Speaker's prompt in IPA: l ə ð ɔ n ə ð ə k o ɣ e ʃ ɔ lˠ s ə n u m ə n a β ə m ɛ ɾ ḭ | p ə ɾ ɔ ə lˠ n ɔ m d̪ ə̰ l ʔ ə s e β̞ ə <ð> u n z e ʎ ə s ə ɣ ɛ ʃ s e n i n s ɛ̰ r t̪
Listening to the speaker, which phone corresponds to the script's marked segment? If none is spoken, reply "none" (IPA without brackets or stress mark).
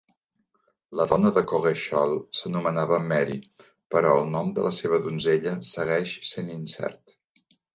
ð